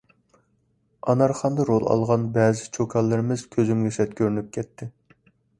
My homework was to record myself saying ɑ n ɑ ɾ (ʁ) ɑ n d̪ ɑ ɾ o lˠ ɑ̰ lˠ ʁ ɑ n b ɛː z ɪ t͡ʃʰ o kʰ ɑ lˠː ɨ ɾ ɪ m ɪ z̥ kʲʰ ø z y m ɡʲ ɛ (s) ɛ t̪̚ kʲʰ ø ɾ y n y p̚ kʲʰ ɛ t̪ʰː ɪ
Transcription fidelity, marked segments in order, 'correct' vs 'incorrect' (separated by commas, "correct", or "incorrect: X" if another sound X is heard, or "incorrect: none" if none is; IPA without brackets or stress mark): incorrect: χ, correct